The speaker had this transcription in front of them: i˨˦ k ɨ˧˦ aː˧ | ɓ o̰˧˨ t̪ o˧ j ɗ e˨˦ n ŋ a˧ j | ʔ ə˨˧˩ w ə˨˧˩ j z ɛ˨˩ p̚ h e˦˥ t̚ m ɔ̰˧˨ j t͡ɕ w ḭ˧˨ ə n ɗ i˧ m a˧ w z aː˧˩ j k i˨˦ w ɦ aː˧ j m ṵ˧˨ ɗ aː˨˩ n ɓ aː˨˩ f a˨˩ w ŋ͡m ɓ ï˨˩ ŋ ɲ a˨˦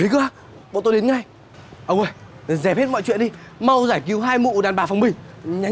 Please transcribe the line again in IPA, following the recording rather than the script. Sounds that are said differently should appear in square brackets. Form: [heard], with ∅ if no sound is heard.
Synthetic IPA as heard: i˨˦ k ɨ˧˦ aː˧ | ɓ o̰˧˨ t̪ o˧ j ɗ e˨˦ n ŋ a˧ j | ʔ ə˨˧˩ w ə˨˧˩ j z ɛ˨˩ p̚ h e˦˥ t̚ m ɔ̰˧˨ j t͡ɕ w ḭ˧˨ ə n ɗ i˧ m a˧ w z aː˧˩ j k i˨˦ w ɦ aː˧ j m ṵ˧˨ ɗ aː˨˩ n ɓ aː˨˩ f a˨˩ w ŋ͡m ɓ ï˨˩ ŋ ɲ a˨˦